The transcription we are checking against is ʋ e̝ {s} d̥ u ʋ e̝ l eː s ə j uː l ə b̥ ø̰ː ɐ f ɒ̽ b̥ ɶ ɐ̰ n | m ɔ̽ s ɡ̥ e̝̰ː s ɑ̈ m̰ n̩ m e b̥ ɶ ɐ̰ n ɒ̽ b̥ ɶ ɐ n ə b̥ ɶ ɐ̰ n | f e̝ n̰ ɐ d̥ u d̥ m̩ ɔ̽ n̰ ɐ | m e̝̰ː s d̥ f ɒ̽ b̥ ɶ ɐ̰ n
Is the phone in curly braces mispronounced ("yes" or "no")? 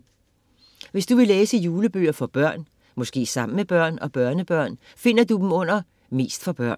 no